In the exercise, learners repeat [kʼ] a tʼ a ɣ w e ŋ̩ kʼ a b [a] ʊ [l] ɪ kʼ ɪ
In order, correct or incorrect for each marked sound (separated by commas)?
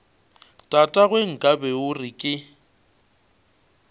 incorrect, incorrect, incorrect